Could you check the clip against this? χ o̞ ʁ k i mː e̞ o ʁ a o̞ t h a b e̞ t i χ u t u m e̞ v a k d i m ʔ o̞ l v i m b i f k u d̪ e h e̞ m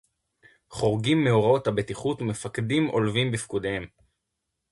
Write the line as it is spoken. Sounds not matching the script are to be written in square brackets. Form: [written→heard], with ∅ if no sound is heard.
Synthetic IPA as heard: χ o̞ ʁ [k→ɡ] i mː e̞ o ʁ a o̞ t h a b e̞ t i χ u t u m e̞ [v→f] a k d i m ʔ o̞ l v i m b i f k u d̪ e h e̞ m

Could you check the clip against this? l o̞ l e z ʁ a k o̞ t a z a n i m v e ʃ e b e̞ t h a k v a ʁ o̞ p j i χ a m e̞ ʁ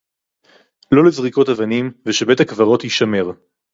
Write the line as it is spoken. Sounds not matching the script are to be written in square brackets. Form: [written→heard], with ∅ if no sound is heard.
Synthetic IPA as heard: l o̞ l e z ʁ [a→i] k o̞ t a [z→v] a n i m v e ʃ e b e̞ t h a k v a ʁ o̞ [p→t] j i [χ→ʃ] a m e̞ ʁ

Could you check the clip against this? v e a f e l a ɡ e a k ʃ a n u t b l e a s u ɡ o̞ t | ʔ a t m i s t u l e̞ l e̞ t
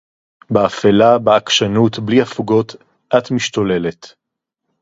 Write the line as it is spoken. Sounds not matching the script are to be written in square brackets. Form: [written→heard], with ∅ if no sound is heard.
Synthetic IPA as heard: [v→b] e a f e l a [ɡ→b] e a k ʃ a n u t b l [e→i] a [s→f] u ɡ o̞ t | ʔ a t m i [s→ʃ] t [u→o] l e̞ l e̞ t

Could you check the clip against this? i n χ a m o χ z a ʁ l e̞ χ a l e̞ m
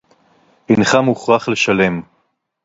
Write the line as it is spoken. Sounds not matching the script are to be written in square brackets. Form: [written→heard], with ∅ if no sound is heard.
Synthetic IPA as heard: i n χ a m [o→u] χ [z→ʁ] a [ʁ→χ] l e̞ [χ→ʃ] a l e̞ m

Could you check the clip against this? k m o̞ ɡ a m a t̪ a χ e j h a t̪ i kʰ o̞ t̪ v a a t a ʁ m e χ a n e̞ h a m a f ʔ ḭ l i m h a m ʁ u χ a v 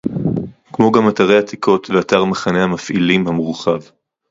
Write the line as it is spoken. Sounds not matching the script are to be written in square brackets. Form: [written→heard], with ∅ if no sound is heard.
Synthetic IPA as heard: k m o̞ ɡ a m a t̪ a [χ→ʁ] e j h a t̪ i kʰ o̞ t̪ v [a→e] a t a ʁ m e χ a n e̞ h a m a f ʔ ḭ l i m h a m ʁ u χ a v

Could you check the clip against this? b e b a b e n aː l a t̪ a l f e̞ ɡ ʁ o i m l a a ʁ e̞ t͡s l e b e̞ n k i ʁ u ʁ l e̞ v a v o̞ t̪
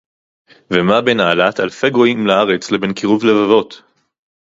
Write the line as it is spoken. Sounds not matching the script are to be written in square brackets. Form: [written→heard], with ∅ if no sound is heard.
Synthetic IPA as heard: [b→v] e [b→m] a b e n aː l a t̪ a l f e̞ ɡ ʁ o i m l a a ʁ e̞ t͡s l e b e̞ n k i ʁ u [ʁ→v] l e̞ v a v o̞ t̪

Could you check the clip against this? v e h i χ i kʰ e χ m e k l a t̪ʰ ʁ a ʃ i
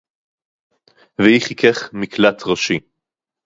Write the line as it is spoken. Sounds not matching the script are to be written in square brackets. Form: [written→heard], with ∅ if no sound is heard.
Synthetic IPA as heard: v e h i χ i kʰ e χ m [e→i] k l a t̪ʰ ʁ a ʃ i

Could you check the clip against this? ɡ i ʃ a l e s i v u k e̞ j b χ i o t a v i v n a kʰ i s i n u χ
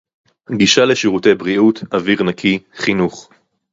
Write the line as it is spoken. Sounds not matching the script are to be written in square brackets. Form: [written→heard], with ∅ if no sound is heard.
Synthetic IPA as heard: ɡ i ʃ a l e [s→ʃ] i [v→ʁ] u [k→t] e̞ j b [χ→ʁ] i [o→u] t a v i [v→ʁ] n a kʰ i [s→χ] i n u χ

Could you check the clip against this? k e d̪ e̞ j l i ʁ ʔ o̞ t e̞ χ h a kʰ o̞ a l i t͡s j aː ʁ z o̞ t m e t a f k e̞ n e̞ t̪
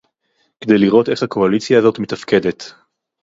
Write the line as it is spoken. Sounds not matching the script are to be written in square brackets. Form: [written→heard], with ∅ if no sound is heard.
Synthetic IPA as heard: k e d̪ e̞ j l i ʁ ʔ o̞ t e̞ χ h a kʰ o̞ a l i t͡s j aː [ʁ→∅] z o̞ t m e t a f k e̞ [n→d] e̞ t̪

